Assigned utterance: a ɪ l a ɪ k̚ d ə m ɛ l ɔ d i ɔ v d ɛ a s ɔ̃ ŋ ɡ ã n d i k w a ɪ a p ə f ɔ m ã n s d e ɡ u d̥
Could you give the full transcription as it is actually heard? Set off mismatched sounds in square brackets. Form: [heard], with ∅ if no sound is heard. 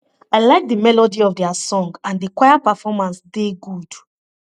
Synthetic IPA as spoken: a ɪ l a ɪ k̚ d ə m ɛ l ɔ d i ɔ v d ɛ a s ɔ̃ ŋ ɡ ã n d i k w a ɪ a p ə f ɔ m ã n s d e ɡ u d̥